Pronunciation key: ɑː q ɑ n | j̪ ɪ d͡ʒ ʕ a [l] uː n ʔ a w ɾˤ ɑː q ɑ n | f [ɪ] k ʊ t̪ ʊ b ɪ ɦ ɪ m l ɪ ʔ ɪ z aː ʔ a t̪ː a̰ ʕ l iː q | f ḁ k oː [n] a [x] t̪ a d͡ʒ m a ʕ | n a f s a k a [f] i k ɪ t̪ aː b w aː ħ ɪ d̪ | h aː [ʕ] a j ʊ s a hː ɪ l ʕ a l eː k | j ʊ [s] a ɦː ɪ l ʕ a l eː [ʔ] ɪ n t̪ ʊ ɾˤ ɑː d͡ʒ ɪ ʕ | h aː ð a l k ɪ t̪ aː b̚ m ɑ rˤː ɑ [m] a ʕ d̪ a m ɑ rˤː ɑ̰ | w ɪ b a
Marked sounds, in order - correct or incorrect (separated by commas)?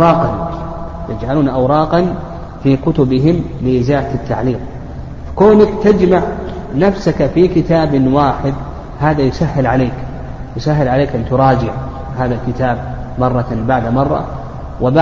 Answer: correct, incorrect, correct, incorrect, correct, incorrect, correct, incorrect, incorrect